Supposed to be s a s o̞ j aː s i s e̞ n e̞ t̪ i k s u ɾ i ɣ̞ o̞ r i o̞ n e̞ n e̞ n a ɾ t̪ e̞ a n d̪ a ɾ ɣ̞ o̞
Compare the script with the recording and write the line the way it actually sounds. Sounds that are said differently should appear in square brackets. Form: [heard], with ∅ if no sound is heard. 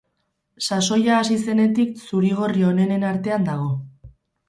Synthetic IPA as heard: s a s o̞ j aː s i s e̞ n e̞ t̪ i k s u ɾ i ɣ̞ o̞ r i o̞ n e̞ n e̞ n a ɾ t̪ e̞ a n d̪ a [∅] ɣ̞ o̞